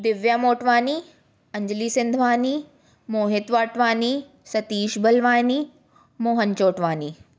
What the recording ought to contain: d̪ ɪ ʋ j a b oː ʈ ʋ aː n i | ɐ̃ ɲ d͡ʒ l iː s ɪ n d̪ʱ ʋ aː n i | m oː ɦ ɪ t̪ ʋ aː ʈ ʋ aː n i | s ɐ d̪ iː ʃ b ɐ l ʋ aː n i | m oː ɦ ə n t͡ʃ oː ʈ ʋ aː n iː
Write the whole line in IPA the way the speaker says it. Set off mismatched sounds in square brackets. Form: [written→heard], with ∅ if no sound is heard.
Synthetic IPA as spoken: d̪ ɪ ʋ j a [b→m] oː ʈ ʋ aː n i | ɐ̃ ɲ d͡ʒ l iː s ɪ n d̪ʱ ʋ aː n i | m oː ɦ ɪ t̪ ʋ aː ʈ ʋ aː n i | s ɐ [d̪→t̪] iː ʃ b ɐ l ʋ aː n i | m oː ɦ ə n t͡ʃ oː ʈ ʋ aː n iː